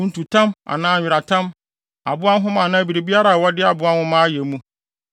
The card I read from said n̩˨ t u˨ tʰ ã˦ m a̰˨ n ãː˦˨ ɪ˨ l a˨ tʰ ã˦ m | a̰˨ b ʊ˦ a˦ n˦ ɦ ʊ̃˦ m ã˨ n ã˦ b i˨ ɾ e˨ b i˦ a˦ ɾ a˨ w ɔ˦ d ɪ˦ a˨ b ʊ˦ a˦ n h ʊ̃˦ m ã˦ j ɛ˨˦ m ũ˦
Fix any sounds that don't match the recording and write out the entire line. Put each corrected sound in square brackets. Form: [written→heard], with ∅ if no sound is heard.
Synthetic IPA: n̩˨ t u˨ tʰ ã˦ m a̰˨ n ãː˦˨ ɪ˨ [l→ɾ] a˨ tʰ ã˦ m | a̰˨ b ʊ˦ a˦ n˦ ɦ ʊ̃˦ m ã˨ n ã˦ b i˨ ɾ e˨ b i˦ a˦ ɾ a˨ w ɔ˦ d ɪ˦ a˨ b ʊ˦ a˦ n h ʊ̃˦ m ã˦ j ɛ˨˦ m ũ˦

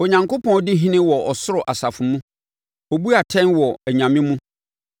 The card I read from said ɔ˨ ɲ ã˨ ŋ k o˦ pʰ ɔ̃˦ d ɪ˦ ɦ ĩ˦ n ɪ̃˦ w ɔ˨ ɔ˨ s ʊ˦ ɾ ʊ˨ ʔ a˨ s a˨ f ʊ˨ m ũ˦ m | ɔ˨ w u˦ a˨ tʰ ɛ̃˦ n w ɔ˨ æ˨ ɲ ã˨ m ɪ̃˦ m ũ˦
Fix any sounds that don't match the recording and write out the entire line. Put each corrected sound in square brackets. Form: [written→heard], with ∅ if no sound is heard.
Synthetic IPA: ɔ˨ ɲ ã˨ ŋ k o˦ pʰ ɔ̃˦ d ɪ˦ ɦ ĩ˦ n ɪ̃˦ w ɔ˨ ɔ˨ s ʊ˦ ɾ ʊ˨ ʔ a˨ s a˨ f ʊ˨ m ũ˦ [m→∅] | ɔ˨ [w→b] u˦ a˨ tʰ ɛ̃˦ n w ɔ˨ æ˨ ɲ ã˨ m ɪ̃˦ m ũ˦

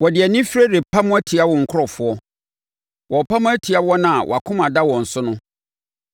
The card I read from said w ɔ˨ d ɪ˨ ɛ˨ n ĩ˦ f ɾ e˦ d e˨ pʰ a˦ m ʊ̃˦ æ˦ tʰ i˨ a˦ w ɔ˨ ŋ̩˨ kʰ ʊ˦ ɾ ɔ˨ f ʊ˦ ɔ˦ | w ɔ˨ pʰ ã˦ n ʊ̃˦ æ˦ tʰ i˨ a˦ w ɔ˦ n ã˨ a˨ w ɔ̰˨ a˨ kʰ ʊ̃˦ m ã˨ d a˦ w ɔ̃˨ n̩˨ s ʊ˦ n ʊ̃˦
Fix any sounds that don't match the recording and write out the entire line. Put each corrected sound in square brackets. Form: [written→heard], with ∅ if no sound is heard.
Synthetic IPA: w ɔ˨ d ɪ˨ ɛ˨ n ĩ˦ f ɾ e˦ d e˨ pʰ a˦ m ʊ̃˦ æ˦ tʰ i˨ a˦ w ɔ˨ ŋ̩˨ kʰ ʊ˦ ɾ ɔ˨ f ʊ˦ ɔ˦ | w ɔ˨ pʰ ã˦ [n→m] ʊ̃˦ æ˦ tʰ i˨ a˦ w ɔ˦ n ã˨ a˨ w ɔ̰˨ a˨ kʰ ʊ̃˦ m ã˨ d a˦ w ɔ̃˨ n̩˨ s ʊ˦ n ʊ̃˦

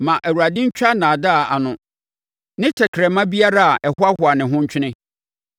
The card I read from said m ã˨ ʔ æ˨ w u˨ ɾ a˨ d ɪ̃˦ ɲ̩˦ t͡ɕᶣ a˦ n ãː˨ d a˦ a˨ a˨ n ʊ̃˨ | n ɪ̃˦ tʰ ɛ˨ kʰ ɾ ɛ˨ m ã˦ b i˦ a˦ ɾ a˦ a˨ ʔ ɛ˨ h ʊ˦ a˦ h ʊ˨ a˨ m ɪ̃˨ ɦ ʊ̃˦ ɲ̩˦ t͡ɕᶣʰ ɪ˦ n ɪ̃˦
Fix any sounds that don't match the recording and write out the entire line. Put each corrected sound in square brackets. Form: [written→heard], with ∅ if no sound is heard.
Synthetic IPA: m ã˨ ʔ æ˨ w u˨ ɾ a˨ d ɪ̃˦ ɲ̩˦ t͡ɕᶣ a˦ n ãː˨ d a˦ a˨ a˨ n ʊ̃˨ | n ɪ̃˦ tʰ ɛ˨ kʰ ɾ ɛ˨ m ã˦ b i˦ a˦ ɾ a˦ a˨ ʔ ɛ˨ h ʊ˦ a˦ h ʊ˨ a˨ [m→n] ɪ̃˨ ɦ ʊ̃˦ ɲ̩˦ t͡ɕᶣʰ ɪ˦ n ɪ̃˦

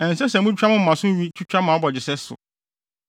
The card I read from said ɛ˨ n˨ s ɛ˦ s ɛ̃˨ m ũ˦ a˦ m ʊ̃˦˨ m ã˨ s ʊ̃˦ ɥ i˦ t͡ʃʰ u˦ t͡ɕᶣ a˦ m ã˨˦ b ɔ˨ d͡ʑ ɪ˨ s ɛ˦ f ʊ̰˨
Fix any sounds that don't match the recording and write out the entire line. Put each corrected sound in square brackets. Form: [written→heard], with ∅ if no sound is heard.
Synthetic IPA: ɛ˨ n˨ s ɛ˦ s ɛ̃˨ m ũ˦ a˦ m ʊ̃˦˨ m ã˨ s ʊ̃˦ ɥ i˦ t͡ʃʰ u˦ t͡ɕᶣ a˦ m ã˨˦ b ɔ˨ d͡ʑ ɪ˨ s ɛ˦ [f→s] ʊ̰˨

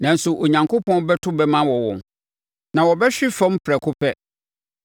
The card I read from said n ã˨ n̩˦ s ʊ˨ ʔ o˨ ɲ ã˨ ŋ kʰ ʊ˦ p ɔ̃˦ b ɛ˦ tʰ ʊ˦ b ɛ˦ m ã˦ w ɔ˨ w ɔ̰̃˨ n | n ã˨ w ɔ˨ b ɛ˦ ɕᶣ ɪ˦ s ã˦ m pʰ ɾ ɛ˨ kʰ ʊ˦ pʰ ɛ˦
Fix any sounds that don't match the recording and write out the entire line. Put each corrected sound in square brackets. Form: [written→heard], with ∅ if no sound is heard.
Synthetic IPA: n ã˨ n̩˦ s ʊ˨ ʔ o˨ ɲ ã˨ ŋ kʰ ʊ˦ p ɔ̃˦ b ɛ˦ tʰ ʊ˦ b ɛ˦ m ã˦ w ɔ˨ w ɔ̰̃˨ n | n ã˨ w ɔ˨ b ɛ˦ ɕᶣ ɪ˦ [s→f] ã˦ m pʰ ɾ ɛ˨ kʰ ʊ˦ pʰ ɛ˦

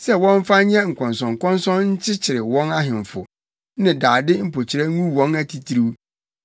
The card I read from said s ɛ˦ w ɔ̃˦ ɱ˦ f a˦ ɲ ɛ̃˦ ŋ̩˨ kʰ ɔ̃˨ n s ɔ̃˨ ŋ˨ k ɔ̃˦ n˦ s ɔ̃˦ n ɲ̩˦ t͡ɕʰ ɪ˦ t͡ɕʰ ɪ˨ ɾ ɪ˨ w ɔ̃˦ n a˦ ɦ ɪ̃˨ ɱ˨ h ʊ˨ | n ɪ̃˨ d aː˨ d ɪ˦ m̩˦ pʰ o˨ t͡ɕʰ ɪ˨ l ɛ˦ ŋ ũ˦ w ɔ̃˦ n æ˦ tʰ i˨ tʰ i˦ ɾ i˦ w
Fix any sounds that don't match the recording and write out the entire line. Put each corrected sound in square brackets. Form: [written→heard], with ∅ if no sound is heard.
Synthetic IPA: s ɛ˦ w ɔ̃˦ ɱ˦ f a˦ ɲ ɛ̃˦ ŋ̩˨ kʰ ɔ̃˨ n s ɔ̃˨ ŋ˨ k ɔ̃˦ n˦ s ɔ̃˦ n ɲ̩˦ t͡ɕʰ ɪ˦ t͡ɕʰ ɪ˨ ɾ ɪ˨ w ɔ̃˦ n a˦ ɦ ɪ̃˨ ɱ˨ [h→f] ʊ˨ | n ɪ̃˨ d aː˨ d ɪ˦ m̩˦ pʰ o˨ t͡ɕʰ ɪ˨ [l→ɾ] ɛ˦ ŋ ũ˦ w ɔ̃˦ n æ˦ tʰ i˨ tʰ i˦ ɾ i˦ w

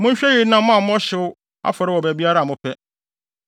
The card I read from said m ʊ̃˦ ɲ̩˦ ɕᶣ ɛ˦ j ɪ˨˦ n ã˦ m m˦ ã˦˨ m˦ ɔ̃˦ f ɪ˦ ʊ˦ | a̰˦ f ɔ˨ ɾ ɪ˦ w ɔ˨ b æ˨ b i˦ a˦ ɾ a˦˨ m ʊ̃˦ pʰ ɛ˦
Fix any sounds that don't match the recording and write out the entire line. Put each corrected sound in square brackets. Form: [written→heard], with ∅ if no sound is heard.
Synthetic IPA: m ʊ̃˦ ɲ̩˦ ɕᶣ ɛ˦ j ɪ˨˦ n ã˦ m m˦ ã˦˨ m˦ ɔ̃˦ [f→ɕ] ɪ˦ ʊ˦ | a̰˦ f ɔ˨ ɾ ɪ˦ w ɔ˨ b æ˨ b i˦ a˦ ɾ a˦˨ m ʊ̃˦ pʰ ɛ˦

